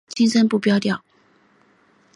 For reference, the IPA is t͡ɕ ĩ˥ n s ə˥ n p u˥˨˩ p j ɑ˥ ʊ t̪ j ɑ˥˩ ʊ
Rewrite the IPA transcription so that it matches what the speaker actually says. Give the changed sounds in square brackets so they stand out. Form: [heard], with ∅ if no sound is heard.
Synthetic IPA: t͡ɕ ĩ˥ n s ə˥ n p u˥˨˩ p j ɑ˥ ʊ t̪ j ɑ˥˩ ʊ